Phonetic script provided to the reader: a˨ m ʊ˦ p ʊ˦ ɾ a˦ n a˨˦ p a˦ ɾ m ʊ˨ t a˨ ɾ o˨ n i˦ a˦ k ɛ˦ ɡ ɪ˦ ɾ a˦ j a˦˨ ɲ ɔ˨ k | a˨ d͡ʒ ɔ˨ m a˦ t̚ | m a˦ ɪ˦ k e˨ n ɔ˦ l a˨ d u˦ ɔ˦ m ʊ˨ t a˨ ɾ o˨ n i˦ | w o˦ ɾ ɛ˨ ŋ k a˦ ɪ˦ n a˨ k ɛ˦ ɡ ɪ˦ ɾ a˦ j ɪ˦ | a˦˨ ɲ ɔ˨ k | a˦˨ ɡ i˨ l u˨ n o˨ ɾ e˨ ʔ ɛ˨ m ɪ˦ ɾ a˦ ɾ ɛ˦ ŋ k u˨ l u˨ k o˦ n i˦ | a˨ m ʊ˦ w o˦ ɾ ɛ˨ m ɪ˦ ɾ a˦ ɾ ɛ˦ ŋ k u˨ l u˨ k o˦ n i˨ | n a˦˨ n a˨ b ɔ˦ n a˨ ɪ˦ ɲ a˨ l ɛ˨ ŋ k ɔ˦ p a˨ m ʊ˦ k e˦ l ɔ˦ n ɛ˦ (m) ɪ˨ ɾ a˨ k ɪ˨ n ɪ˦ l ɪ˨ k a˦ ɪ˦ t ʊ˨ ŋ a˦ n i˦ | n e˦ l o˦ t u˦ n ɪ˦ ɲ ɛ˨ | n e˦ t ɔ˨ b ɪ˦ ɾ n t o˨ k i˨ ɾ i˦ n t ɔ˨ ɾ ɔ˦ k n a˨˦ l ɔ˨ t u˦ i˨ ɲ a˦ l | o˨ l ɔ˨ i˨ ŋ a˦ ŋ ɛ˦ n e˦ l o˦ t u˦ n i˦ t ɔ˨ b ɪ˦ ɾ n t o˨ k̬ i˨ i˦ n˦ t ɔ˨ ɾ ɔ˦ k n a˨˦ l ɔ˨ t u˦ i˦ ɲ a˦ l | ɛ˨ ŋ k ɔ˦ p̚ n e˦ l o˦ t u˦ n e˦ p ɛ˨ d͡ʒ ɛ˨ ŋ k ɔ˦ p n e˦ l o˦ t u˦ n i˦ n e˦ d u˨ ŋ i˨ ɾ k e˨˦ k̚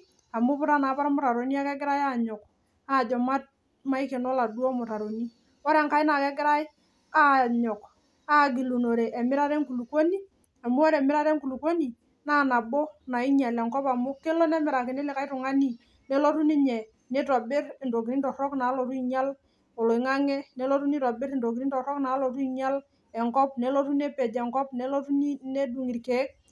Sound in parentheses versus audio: correct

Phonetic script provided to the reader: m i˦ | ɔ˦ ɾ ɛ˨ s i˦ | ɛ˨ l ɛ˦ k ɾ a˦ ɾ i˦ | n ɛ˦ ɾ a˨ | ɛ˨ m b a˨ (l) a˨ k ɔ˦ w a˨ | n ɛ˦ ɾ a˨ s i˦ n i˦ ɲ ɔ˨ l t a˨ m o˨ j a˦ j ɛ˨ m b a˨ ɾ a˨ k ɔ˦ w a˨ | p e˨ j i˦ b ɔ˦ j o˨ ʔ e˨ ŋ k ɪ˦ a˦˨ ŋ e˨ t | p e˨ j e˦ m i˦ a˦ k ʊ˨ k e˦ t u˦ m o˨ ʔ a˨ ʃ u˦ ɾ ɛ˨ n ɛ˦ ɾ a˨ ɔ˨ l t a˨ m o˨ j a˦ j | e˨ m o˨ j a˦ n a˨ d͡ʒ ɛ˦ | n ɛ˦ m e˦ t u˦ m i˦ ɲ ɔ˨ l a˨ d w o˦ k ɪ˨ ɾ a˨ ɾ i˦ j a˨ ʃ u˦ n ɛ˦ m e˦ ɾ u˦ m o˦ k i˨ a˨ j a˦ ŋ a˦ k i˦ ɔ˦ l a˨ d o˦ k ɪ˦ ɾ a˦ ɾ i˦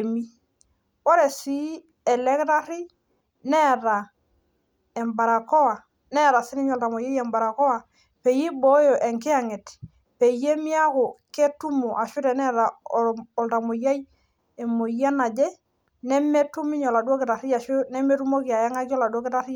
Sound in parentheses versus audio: incorrect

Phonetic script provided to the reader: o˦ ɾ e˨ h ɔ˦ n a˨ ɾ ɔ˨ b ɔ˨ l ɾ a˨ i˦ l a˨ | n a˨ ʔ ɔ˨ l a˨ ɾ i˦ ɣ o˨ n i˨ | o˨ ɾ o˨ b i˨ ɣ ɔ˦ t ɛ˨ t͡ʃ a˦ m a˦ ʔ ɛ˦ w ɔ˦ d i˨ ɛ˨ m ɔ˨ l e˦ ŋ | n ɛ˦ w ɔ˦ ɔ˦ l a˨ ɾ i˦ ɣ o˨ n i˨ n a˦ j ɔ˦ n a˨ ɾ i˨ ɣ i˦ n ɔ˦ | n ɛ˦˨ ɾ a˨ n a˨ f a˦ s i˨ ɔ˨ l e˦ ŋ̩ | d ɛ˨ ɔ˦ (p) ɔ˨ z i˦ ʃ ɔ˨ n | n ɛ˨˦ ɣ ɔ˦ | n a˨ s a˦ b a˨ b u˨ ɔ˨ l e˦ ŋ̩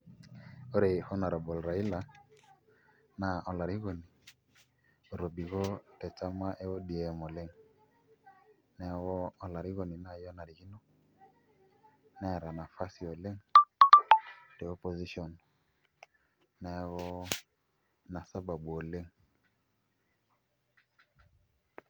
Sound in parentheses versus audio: correct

